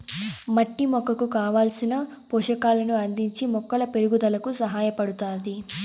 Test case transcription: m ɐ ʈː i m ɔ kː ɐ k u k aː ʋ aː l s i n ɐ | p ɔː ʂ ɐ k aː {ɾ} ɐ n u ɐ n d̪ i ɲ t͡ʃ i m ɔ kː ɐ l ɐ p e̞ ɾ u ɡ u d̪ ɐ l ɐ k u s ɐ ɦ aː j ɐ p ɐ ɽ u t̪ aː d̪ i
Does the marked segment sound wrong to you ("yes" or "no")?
yes